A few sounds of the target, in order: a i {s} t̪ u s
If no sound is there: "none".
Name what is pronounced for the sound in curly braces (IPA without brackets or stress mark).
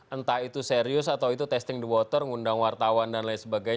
none